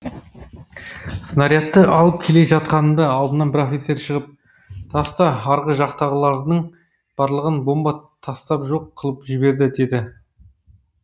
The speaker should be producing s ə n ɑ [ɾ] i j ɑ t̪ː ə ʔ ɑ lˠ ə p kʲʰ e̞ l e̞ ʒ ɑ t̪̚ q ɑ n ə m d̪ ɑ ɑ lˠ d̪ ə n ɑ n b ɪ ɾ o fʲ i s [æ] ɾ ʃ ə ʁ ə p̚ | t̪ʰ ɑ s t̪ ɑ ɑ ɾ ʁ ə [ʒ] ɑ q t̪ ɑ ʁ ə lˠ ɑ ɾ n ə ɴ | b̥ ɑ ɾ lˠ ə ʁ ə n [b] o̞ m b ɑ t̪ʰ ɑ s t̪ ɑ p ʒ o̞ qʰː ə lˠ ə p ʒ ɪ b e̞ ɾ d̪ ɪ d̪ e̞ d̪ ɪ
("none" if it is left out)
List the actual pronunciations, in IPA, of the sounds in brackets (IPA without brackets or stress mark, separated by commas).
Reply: ɾ, e, ʒ, b